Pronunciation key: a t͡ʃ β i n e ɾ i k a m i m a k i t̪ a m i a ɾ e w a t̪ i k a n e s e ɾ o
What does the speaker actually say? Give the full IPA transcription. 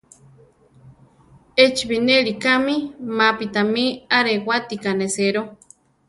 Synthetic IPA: e t͡ʃ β i n e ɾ i k a m i m a p i t̪ a m i a ɾ e w a t̪ i k a n e s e ɾ o